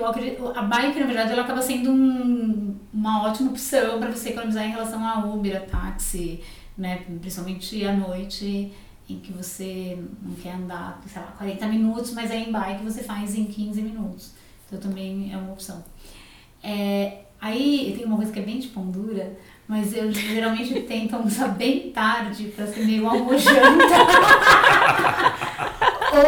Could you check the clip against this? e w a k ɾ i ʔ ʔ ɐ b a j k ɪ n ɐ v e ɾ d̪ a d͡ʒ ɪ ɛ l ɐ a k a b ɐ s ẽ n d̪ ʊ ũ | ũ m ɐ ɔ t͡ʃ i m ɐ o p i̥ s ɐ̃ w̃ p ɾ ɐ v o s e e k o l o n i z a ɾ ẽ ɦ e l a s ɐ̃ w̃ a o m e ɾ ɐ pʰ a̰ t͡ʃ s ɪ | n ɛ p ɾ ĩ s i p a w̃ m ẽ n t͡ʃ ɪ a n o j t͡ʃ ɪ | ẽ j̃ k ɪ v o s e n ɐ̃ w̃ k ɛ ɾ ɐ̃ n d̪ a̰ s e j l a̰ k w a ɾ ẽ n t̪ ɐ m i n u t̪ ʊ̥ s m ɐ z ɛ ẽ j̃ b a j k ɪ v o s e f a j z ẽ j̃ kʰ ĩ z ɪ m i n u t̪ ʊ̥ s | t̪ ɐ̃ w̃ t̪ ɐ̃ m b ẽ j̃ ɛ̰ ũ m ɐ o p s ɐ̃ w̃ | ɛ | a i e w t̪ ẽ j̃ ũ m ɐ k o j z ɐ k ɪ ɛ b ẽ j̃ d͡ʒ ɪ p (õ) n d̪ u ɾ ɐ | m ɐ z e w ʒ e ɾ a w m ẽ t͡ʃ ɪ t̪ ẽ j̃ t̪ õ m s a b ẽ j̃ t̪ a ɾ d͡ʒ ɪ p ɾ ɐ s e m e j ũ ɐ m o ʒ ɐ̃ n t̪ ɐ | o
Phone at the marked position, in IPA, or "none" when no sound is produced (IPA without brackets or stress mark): õ